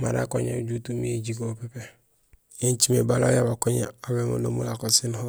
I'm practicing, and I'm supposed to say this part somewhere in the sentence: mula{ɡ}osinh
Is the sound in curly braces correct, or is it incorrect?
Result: incorrect